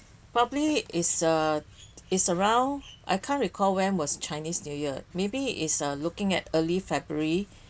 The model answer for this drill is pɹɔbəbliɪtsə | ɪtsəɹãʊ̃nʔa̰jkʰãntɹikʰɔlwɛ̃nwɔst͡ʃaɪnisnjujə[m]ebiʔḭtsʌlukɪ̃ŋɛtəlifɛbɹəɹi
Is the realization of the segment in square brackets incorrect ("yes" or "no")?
no